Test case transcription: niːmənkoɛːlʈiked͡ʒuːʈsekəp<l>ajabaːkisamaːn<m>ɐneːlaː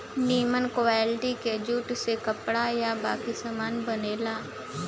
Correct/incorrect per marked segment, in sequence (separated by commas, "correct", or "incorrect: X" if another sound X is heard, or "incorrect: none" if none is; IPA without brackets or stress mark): incorrect: ɽ, incorrect: b